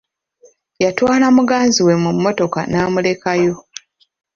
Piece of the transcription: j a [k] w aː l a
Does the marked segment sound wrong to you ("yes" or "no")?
yes